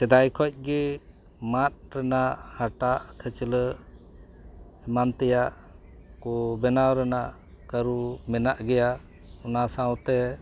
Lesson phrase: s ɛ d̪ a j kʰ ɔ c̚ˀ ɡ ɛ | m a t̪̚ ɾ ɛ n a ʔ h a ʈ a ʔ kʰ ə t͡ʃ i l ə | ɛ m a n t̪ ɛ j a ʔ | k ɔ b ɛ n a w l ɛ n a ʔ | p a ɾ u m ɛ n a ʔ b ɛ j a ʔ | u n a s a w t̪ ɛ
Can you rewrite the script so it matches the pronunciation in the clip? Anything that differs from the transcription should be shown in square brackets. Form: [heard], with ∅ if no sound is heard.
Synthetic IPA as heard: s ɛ d̪ a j kʰ ɔ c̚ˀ ɡ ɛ | m a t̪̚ ɾ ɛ n a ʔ h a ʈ a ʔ kʰ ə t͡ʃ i l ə | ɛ m a n t̪ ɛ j a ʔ | k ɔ b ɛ n a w [ɾ] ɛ n a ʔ | [k] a ɾ u m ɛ n a ʔ [ɡ] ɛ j a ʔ | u n a s a w t̪ ɛ